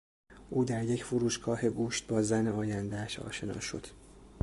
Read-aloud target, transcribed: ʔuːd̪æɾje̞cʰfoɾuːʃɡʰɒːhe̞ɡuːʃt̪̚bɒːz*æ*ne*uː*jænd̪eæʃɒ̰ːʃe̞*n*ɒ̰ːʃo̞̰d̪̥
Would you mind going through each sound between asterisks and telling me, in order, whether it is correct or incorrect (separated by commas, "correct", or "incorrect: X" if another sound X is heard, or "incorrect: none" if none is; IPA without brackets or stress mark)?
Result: correct, incorrect: ɒː, correct